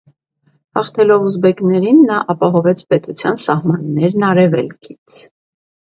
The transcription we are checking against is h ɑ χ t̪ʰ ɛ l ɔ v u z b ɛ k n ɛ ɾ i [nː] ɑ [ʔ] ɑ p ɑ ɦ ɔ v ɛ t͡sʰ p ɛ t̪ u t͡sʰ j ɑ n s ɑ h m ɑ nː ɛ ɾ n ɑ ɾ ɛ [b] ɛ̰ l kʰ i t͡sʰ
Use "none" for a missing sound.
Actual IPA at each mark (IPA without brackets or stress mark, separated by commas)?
nː, ʔ, v